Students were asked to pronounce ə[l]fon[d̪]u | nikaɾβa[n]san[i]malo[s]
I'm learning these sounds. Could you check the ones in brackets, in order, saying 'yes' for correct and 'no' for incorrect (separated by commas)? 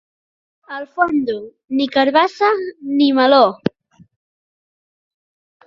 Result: yes, yes, no, yes, no